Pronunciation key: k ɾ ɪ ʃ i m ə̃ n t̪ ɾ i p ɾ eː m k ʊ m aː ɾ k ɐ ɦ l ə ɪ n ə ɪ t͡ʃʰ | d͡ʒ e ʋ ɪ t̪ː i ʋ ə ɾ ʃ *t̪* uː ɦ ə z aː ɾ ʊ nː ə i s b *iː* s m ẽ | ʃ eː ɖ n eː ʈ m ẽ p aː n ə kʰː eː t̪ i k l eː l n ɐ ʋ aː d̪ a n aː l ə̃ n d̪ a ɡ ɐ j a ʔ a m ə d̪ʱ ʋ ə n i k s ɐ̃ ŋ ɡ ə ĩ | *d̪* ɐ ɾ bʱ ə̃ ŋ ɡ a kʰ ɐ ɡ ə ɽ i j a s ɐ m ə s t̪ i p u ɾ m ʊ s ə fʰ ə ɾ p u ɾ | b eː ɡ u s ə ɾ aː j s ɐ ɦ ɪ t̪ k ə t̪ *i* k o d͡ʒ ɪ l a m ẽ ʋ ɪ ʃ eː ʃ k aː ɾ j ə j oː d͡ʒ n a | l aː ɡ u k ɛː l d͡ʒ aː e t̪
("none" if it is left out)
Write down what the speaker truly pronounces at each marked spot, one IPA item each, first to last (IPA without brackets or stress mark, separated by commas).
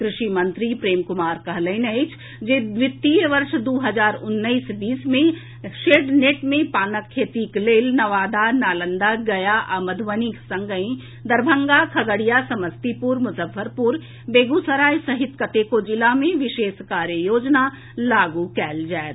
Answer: d̪, iː, d̪, e